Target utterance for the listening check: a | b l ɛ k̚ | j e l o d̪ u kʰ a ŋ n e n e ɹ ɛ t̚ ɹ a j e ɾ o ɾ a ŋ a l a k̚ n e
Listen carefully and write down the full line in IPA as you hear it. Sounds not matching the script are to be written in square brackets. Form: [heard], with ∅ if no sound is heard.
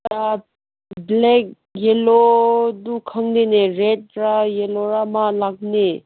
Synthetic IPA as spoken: a | b l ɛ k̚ | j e l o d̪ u kʰ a ŋ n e n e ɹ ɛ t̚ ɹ a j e [l] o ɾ a [m] a l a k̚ n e